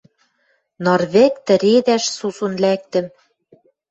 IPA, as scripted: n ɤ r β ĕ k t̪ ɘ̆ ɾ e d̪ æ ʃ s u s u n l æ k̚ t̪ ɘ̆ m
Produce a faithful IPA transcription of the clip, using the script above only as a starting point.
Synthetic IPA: n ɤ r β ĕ k t̪ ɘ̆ ɾ e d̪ æ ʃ s u s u n l æ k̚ t̪ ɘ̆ m